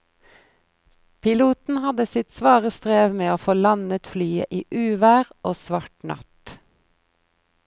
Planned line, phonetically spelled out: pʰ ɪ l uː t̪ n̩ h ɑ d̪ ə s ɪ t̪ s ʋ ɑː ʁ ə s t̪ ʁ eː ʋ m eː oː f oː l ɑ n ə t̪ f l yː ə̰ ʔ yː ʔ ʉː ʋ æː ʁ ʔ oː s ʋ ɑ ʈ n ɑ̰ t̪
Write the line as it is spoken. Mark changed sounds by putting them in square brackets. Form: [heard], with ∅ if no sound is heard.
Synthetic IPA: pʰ ɪ l uː t̪ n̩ h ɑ d̪ ə s ɪ t̪ s ʋ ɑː ʁ ə s t̪ ʁ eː ʋ m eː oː f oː l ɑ n ə t̪ f l yː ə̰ ʔ [iː] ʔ ʉː ʋ æː ʁ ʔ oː s ʋ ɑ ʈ n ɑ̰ t̪